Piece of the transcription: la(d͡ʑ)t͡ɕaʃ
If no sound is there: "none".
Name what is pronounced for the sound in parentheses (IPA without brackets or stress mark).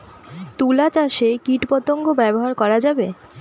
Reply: none